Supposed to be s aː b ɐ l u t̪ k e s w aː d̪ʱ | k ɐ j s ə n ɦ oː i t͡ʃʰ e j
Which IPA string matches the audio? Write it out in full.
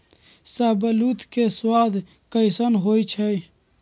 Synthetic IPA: s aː b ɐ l u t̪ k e s w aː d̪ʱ | k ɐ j s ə n ɦ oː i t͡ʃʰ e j